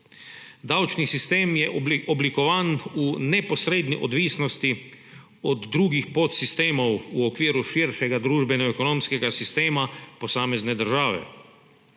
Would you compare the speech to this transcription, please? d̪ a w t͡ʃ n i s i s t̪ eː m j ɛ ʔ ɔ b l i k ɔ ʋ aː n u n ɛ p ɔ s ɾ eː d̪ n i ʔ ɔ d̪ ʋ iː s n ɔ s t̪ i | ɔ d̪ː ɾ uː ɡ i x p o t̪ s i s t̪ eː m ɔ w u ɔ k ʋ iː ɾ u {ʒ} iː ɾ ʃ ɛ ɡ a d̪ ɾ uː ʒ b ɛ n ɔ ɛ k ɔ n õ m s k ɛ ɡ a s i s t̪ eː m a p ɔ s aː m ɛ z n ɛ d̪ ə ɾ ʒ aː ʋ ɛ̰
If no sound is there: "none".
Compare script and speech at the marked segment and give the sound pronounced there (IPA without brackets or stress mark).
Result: ʃ